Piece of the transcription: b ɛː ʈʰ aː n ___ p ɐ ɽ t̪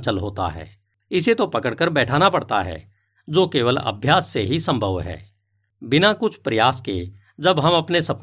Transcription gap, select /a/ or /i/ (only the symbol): a